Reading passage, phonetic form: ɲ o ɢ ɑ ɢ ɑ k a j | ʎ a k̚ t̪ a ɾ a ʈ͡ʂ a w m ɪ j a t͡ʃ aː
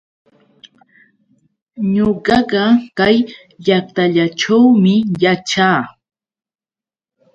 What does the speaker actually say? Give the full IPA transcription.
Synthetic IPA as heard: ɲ o ɢ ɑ ɢ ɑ k a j | ʎ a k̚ t̪ a ʎ a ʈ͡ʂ a w m ɪ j a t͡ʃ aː